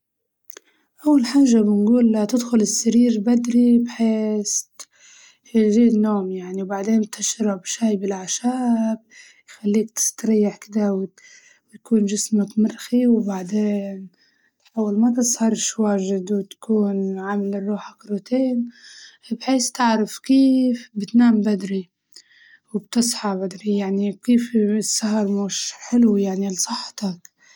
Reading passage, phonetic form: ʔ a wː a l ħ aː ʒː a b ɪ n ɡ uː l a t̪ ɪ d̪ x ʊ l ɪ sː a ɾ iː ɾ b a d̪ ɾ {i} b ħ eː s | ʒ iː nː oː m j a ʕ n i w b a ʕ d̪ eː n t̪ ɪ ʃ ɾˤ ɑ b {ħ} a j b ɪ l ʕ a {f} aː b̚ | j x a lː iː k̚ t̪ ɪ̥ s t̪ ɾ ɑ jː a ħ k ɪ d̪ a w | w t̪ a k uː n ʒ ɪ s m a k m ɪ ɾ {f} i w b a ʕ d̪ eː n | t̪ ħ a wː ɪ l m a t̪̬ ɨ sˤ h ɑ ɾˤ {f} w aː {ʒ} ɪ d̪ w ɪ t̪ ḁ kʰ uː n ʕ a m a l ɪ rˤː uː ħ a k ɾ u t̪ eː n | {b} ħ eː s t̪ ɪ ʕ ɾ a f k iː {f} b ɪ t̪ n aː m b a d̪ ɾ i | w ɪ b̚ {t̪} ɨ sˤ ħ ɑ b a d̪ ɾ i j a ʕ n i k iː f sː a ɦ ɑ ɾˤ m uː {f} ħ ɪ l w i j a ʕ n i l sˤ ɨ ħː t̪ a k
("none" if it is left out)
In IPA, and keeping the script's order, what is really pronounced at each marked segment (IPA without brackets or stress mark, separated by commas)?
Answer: i, ʃ, ʃ, x, ʃ, ʒ, b, f, t̪, ʃ